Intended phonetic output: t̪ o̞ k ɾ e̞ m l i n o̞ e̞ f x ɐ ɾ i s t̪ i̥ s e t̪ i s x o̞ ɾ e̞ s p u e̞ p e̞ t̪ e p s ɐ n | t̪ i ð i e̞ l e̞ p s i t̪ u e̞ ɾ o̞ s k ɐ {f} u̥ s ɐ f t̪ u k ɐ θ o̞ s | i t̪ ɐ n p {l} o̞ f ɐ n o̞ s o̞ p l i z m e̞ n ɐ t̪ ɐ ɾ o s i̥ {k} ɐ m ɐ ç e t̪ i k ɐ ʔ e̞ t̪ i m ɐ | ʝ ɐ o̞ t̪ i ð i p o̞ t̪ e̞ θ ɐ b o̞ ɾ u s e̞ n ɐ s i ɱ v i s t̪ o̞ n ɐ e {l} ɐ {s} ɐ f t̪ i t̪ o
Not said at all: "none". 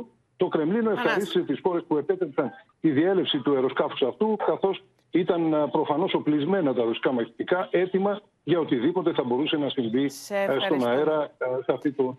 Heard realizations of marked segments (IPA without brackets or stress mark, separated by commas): f, ɾ, k, ɾ, s